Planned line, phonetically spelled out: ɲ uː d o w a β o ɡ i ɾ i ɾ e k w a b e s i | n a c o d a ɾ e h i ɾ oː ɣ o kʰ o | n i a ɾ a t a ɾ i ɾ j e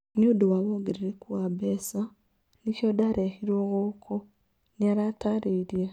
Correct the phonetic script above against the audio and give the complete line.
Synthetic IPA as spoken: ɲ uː d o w a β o ɡ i ɾ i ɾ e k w a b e s a | n i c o d a ɾ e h i ɾ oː ɣ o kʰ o | n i a ɾ a t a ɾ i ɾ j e